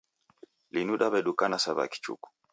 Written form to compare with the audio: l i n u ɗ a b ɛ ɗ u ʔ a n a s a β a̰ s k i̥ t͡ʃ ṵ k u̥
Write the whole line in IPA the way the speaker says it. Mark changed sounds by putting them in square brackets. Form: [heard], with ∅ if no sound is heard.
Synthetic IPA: l i n u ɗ a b ɛ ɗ u [k] a n a s a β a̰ [∅] k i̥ t͡ʃ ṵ k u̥